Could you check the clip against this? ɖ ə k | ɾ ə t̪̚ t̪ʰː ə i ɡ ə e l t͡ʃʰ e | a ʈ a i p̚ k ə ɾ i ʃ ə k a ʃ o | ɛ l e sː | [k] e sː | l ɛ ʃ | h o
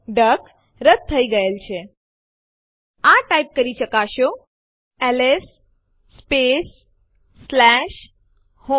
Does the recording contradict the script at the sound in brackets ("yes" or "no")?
yes